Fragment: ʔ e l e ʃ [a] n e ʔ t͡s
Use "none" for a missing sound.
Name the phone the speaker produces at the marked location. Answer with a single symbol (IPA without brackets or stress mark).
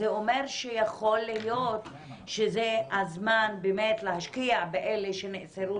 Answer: e